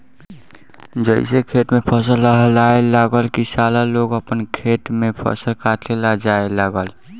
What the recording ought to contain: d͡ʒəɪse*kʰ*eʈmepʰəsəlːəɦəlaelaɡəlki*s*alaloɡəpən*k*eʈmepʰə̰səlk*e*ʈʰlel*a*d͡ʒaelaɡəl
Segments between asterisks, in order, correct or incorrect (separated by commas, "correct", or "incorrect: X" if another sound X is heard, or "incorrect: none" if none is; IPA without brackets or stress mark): correct, correct, incorrect: kʰ, incorrect: a, correct